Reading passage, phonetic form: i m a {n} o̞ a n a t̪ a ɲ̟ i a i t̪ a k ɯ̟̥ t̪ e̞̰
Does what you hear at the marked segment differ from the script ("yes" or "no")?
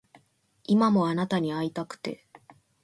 yes